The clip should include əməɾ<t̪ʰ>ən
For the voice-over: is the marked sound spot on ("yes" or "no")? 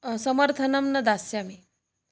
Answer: yes